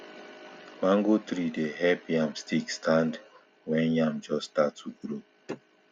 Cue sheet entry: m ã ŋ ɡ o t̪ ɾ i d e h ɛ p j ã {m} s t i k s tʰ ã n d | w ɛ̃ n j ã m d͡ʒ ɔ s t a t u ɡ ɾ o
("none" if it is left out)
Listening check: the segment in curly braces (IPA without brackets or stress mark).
m